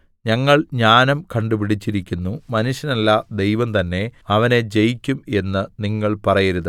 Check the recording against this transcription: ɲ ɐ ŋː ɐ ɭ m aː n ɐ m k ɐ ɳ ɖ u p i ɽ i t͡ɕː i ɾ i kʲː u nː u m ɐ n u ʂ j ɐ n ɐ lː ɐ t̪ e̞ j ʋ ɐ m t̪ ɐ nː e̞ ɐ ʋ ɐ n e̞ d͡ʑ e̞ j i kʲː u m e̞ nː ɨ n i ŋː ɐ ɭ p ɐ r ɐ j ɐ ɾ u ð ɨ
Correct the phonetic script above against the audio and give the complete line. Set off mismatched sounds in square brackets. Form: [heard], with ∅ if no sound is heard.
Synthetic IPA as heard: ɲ ɐ ŋː ɐ ɭ [ɲ] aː n ɐ m k ɐ ɳ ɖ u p i ɽ i t͡ɕː i ɾ i kʲː u nː u m ɐ n u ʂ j ɐ n ɐ lː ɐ [d̪] e̞ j ʋ ɐ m t̪ ɐ nː e̞ ɐ ʋ ɐ n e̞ d͡ʑ e̞ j i kʲː u m e̞ nː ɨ n i ŋː ɐ ɭ p ɐ r ɐ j ɐ ɾ u ð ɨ

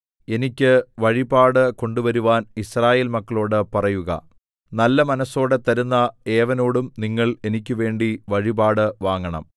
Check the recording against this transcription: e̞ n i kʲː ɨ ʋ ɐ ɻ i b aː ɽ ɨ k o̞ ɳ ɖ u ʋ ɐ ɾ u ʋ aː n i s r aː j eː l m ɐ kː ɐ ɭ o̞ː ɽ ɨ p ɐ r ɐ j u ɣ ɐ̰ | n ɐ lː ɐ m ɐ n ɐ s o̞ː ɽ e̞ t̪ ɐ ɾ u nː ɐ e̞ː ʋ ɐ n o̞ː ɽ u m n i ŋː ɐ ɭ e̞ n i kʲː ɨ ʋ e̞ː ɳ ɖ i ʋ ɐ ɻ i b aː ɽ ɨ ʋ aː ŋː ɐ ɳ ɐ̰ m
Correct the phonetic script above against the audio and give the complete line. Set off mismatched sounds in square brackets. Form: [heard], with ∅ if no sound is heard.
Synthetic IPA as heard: e̞ n i kʲː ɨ ʋ ɐ ɻ i b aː ɽ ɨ k o̞ ɳ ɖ u ʋ ɐ ɾ u ʋ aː n i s r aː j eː l m ɐ kː ɐ ɭ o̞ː ɽ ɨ p ɐ r ɐ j u ɣ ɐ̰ | n ɐ lː ɐ m ɐ n ɐ s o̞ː ɽ e̞ t̪ ɐ ɾ u nː ɐ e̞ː ʋ ɐ n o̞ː ɽ u m n i ŋː ɐ ɭ e̞ n i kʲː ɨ ʋ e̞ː ɳ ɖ i ʋ ɐ ɻ i b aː ɽ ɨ ʋ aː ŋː ɐ ɳ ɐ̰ m

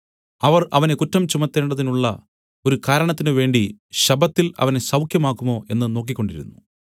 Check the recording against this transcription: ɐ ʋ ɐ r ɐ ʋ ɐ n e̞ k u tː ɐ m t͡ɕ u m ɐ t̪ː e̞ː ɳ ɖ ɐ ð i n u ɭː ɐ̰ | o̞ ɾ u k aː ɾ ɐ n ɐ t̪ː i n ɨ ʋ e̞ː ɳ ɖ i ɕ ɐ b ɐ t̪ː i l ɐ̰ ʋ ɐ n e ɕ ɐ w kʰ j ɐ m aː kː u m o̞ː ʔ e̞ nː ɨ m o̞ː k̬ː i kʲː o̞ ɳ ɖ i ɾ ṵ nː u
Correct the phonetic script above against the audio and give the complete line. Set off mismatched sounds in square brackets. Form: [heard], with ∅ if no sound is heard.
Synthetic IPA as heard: ɐ ʋ ɐ r ɐ ʋ ɐ n e̞ k u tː ɐ m t͡ɕ u m ɐ t̪ː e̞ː ɳ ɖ ɐ ð i n u ɭː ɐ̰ | o̞ ɾ u k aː ɾ ɐ [ɳ] ɐ t̪ː i n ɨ ʋ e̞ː ɳ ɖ i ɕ ɐ b ɐ t̪ː i l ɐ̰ ʋ ɐ n e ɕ ɐ w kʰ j ɐ m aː kː u m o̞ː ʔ e̞ nː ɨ [n] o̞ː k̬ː i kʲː o̞ ɳ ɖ i ɾ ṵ nː u

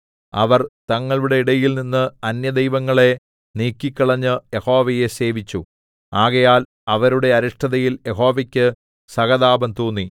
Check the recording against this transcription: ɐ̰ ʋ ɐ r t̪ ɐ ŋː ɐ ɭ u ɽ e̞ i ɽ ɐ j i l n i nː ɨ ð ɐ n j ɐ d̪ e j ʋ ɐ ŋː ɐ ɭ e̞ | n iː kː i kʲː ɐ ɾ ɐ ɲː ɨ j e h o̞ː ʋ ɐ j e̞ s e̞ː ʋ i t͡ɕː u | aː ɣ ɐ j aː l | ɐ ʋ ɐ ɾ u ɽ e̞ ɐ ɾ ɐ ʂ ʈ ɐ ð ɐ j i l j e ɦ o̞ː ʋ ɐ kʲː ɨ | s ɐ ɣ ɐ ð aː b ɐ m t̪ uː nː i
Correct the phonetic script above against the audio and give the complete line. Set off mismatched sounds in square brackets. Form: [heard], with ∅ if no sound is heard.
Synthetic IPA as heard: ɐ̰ ʋ ɐ r t̪ ɐ ŋː ɐ ɭ u ɽ e̞ i ɽ ɐ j i l n i nː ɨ [∅] ɐ n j ɐ d̪ e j ʋ ɐ ŋː ɐ ɭ e̞ | n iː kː i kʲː ɐ [ɭ] ɐ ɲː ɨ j e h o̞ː ʋ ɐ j e̞ s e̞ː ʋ i t͡ɕː u | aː ɣ ɐ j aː l | ɐ ʋ ɐ ɾ u ɽ e̞ ɐ ɾ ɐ ʂ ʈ ɐ ð ɐ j i l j e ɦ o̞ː ʋ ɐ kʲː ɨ | s ɐ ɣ ɐ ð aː b ɐ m t̪ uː nː i

